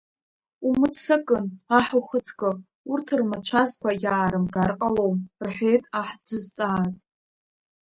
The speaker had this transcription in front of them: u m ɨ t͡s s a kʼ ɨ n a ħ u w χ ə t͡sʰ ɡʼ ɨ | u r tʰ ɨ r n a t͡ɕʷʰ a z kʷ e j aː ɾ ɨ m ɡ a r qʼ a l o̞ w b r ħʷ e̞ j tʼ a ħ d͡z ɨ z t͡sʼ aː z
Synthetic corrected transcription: u m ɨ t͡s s a kʼ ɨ n a ħ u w χ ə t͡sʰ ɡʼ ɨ | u r tʰ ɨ r m a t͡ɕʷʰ a z kʷ a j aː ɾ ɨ m ɡ a r qʼ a l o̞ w m r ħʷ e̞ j tʼ a ħ d͡z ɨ z t͡sʼ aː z